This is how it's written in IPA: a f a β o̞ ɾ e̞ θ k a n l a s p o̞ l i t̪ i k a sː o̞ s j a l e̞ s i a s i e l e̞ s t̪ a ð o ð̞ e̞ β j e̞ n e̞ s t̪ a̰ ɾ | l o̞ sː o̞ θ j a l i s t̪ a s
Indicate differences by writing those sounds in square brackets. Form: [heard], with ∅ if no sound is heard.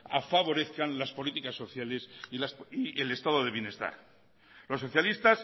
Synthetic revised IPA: a f a β o̞ ɾ e̞ θ k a n l a s p o̞ l i t̪ i k a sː o̞ [θ] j a l e̞ s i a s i e l e̞ s t̪ a ð o ð̞ e̞ β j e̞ n e̞ s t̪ a̰ ɾ | l o̞ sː o̞ θ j a l i s t̪ a s